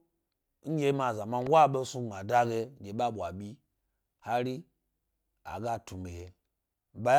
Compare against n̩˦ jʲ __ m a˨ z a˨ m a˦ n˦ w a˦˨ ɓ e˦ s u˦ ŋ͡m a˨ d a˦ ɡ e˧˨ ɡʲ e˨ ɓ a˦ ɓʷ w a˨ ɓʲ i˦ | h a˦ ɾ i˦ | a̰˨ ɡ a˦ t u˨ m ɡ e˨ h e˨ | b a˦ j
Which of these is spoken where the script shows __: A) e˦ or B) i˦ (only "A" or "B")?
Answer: A